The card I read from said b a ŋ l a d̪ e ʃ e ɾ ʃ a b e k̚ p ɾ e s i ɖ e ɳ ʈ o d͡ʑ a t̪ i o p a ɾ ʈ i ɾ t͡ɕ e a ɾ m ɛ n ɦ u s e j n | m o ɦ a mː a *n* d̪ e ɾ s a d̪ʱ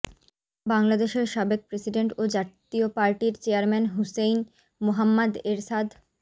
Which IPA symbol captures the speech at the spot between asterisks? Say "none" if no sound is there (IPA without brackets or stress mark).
none